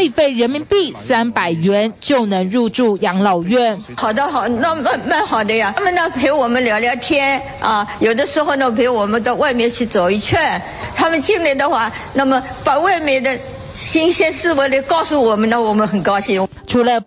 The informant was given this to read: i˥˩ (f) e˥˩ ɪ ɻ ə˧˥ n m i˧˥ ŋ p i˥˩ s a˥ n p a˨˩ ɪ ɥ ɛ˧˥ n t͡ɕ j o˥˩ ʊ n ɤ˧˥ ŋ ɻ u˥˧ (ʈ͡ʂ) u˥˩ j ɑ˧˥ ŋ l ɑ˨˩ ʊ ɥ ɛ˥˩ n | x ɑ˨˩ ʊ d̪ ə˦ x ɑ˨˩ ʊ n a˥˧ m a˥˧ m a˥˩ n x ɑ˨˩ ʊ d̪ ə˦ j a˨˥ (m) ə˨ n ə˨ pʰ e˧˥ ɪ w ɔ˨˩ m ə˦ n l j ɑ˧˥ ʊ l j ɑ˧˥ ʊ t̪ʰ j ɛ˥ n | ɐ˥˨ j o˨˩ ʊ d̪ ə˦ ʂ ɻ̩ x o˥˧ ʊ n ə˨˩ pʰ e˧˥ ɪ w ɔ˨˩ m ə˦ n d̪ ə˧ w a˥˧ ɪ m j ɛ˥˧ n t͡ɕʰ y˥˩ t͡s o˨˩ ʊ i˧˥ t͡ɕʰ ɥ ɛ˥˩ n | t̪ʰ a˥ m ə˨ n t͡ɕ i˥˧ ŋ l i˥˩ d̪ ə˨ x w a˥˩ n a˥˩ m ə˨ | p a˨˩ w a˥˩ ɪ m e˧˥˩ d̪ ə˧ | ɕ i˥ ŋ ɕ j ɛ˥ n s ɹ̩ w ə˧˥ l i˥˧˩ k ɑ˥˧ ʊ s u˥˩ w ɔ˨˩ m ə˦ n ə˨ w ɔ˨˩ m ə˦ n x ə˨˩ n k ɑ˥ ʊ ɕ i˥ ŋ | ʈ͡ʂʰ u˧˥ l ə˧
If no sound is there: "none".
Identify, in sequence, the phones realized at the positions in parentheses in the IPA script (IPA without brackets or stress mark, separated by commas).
f, ʈ͡ʂ, m